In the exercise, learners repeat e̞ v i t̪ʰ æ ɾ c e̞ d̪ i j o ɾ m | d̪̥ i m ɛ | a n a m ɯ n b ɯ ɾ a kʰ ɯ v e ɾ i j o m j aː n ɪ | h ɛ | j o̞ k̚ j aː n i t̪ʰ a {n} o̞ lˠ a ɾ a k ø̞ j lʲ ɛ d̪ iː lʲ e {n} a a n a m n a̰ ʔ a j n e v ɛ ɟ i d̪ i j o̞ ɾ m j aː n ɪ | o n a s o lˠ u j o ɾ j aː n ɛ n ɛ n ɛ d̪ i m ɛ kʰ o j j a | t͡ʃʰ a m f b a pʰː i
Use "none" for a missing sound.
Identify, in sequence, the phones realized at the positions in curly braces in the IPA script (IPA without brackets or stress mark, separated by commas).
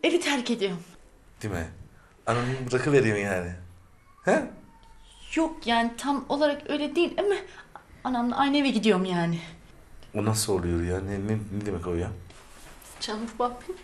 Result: m, m